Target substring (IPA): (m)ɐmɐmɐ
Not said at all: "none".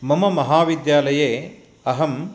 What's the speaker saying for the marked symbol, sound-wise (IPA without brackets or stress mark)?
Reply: m